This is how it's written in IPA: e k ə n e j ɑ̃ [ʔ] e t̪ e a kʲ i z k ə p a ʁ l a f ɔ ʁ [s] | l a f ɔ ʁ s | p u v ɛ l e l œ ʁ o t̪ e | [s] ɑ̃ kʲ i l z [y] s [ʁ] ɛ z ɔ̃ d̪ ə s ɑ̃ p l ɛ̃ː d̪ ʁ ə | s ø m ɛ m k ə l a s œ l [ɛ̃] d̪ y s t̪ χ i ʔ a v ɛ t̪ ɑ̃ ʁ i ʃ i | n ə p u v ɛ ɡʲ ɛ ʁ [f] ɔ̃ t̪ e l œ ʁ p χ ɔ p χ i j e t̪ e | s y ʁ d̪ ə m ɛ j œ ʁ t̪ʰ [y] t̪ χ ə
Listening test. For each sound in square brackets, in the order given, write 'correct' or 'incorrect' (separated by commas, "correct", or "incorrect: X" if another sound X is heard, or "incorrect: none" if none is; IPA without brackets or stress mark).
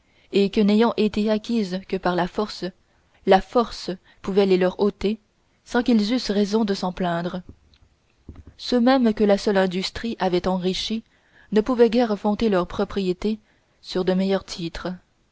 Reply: correct, correct, correct, correct, correct, correct, correct, incorrect: i